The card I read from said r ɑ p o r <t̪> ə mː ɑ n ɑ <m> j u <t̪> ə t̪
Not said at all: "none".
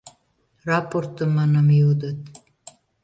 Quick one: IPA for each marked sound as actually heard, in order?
t̪, m, d̪

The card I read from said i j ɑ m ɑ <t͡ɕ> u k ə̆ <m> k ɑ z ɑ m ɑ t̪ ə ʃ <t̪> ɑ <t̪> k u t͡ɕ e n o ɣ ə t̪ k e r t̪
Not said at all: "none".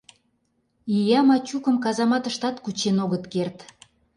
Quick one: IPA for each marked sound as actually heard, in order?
t͡ɕ, m, t̪, t̪

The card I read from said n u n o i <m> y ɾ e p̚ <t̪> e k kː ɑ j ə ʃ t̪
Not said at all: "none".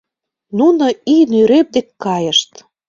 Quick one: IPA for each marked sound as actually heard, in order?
n, d̪

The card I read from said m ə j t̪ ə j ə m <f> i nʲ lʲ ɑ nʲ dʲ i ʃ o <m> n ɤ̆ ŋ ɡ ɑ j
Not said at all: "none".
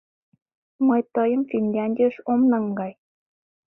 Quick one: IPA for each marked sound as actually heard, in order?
f, m

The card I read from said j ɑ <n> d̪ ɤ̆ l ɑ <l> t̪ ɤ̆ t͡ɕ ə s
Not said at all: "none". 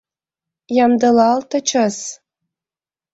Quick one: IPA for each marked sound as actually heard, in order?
m, l

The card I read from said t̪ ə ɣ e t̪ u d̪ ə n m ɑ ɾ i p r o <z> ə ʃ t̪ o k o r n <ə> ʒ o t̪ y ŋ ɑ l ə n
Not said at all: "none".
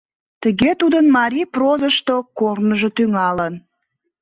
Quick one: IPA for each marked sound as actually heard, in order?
z, ə

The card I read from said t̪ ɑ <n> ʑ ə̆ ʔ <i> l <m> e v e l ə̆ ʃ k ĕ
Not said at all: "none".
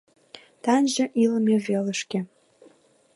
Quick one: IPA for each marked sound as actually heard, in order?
n, i, m

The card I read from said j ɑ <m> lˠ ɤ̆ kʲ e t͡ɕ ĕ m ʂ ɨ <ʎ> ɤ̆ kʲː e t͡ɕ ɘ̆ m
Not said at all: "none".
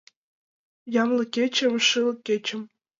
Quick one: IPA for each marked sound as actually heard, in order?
m, l

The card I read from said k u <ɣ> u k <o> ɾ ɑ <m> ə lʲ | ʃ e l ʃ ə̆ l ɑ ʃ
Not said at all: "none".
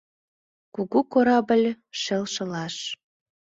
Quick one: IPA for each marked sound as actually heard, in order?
ɣ, o, b

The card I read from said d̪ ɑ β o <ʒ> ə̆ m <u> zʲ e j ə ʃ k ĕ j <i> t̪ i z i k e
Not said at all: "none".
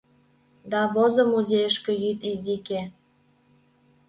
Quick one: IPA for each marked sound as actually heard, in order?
z, u, y

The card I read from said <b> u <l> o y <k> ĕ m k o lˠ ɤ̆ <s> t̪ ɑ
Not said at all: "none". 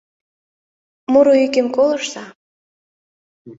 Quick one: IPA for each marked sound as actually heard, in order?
m, ɾ, k, ʃ

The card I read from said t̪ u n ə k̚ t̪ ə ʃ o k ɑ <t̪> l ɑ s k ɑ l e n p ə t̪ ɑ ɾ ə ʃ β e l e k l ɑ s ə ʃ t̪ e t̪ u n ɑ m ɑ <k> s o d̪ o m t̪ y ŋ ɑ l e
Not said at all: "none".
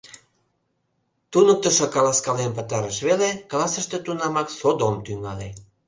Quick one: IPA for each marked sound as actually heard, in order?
none, k

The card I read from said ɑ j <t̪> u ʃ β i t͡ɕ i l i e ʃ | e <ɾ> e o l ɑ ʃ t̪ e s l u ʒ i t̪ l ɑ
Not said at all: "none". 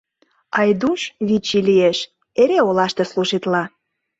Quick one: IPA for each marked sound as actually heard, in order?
d̪, ɾ

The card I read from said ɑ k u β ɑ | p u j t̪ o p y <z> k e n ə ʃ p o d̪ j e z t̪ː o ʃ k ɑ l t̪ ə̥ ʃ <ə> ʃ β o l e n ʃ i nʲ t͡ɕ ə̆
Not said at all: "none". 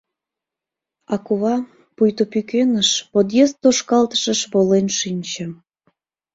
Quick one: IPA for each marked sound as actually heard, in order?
none, ə

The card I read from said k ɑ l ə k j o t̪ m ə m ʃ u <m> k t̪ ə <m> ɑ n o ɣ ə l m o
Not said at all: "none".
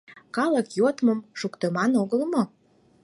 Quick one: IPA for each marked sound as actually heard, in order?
none, m

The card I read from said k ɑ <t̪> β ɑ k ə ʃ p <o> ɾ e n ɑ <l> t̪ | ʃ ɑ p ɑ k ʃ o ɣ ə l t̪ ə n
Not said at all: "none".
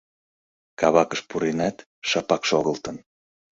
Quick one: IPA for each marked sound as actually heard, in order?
none, u, none

